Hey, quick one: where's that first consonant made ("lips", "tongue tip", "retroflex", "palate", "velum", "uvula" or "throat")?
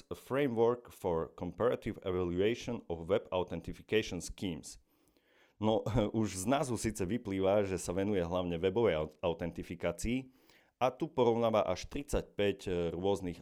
lips